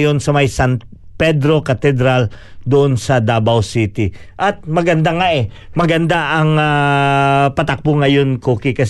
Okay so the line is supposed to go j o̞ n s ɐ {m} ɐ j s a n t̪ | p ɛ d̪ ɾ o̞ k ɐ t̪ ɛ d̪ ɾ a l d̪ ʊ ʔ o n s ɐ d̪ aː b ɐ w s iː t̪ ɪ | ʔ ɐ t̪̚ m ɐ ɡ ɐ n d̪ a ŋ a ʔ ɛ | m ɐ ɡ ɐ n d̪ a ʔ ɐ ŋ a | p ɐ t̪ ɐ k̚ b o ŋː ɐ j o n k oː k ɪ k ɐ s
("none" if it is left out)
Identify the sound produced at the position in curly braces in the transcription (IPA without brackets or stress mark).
m